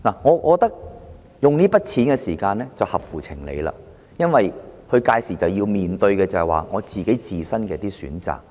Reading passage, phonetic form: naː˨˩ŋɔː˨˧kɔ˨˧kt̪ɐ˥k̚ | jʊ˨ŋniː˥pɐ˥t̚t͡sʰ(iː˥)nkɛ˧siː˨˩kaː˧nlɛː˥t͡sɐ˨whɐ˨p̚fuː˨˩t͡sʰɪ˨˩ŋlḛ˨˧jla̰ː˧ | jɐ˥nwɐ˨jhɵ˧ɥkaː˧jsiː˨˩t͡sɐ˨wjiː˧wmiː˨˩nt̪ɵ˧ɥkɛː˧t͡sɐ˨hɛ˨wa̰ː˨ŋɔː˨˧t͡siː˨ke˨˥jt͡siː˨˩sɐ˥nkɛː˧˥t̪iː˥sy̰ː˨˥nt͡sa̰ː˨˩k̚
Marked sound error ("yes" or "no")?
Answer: yes